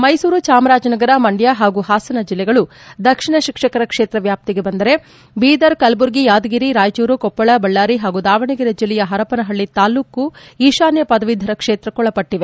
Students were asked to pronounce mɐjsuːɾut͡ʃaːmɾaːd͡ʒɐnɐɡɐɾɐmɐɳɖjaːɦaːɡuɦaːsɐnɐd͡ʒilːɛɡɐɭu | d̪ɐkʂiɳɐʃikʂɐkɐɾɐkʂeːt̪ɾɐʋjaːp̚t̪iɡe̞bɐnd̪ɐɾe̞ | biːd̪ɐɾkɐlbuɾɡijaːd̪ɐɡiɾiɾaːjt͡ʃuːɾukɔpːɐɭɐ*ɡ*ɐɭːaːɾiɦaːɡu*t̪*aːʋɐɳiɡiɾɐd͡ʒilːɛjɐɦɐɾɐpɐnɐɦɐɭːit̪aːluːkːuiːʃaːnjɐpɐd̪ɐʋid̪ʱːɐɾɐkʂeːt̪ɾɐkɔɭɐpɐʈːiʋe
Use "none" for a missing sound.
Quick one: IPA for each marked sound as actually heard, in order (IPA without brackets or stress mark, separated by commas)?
b, d̪